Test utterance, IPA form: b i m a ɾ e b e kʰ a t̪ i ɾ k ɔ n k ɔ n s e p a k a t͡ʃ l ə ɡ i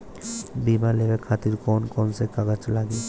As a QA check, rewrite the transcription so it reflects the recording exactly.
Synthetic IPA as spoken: b i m a l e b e kʰ a t̪ i ɾ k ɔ n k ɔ n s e k a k a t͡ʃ l a ɡ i